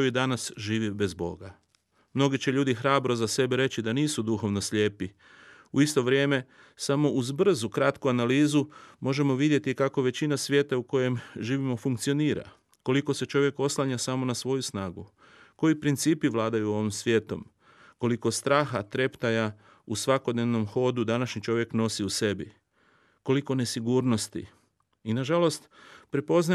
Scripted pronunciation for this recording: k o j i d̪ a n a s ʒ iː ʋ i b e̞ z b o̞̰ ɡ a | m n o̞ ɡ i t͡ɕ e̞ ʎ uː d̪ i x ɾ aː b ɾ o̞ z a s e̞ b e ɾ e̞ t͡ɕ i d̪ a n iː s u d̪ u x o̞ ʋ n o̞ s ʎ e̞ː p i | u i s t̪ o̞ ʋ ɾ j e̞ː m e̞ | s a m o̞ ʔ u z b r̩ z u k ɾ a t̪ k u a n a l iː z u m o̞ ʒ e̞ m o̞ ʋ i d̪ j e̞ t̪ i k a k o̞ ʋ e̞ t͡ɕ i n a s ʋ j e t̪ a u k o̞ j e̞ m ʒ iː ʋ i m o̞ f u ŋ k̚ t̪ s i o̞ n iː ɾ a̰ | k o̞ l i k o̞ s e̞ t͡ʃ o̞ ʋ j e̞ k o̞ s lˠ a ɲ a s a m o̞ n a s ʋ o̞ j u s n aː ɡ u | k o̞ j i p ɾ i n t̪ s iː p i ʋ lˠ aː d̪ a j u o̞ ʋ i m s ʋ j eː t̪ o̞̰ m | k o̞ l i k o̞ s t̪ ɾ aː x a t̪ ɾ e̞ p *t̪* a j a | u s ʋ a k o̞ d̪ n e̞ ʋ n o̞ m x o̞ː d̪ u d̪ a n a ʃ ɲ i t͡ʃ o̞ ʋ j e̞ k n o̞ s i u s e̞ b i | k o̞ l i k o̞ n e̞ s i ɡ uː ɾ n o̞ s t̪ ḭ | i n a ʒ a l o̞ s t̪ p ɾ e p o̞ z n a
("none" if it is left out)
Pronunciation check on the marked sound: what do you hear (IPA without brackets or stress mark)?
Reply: t̪